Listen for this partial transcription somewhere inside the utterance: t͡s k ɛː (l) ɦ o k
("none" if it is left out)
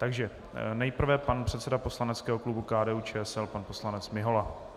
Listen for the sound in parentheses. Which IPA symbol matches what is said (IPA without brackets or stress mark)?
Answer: none